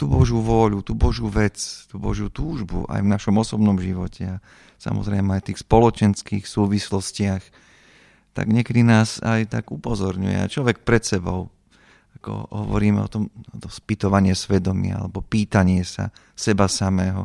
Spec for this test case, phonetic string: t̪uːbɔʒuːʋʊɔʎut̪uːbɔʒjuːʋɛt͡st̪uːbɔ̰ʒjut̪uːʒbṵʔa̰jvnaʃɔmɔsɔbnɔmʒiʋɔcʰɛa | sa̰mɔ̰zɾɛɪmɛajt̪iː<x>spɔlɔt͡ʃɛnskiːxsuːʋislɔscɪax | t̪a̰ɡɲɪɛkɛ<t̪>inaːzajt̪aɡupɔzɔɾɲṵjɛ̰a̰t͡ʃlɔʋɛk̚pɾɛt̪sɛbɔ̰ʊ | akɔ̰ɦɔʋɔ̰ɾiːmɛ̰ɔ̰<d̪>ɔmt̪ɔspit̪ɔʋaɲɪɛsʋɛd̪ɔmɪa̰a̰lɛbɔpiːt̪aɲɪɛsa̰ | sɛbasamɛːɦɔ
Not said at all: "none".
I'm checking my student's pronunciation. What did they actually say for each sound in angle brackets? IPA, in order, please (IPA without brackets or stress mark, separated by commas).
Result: x, d̪, t̪